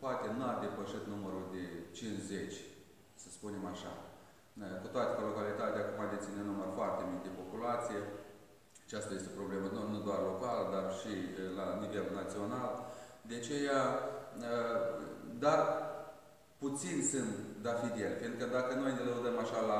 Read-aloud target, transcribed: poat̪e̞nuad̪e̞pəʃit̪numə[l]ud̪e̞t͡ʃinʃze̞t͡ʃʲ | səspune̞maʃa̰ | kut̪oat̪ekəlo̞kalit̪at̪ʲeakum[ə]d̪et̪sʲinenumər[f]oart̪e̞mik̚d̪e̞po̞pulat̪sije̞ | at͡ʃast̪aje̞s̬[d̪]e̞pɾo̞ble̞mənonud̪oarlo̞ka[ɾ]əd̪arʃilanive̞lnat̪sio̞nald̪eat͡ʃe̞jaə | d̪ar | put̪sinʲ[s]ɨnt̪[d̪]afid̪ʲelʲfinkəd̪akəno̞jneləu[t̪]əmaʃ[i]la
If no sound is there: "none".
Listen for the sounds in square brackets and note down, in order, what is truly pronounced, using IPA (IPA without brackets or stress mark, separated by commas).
ɾ, a, f, t̪, l, s, d̪, d̪, a